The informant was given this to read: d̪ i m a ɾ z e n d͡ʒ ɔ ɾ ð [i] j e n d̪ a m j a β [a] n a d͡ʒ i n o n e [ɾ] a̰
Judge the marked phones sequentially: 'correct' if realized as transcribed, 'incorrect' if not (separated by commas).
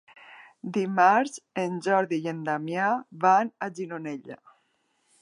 correct, correct, incorrect